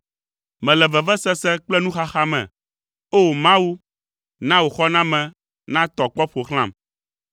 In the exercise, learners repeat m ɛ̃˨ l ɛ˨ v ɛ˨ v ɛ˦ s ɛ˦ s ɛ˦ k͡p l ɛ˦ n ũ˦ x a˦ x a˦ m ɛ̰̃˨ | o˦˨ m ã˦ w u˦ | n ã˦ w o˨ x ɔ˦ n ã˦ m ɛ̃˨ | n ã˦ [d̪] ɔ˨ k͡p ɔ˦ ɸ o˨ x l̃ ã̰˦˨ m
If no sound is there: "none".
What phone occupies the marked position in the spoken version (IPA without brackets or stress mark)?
t̪